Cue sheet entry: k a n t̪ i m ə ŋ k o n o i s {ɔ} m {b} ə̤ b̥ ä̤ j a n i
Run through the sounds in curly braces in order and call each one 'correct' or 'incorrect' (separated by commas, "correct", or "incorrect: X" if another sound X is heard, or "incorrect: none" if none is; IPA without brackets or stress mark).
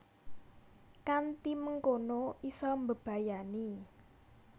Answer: correct, correct